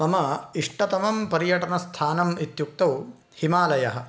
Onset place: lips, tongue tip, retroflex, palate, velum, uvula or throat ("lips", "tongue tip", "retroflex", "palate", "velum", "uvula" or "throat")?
lips